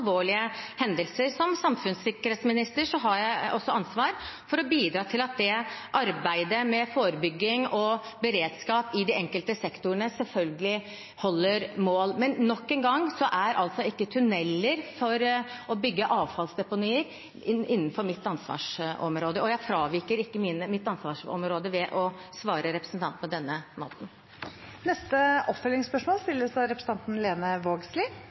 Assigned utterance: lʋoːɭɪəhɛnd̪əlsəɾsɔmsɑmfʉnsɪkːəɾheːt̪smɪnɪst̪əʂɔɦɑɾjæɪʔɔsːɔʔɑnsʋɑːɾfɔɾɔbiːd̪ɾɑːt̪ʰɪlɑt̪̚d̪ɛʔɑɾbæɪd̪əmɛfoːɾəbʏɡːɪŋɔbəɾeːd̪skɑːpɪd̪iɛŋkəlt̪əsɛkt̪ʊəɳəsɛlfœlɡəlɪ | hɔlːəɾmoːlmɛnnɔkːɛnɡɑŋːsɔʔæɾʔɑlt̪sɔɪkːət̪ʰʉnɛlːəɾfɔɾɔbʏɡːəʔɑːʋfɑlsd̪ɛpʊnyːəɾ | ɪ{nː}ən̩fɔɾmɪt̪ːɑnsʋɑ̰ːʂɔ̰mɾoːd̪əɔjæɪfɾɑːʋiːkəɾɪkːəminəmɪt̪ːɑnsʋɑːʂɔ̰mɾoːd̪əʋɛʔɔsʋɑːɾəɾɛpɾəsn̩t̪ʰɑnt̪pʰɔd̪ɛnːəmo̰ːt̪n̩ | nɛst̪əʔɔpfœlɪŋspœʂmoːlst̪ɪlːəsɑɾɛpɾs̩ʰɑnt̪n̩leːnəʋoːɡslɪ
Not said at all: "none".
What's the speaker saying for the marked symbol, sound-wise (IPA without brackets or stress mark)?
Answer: nː